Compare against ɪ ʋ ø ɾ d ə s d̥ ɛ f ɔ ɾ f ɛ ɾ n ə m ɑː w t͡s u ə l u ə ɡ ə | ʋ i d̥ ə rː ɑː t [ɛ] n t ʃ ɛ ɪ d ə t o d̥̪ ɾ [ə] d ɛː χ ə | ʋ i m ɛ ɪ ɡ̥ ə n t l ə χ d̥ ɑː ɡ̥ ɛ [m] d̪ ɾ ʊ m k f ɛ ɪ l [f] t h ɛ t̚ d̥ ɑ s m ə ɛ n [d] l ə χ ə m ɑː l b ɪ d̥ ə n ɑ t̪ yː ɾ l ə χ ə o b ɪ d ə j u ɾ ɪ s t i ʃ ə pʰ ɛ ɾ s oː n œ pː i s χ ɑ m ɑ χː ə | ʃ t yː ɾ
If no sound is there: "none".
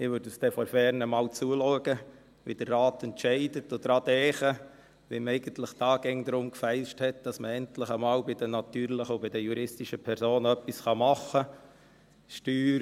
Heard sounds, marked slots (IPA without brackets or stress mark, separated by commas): ɛ, ɑ, ŋ, ʃ, t